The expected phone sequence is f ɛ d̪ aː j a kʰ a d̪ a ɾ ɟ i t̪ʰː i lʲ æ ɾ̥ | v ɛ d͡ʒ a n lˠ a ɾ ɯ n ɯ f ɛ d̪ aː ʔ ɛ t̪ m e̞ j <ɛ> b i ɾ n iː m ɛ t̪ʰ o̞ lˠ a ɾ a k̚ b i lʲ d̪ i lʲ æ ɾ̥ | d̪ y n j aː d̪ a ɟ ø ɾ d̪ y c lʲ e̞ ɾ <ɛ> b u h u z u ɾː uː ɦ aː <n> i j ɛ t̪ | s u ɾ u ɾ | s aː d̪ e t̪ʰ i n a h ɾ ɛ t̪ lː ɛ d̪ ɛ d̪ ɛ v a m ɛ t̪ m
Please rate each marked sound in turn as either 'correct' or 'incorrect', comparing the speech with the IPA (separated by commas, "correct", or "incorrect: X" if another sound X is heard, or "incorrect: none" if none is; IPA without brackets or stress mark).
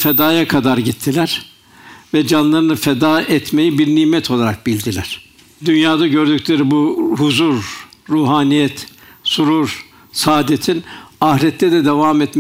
incorrect: i, incorrect: i, correct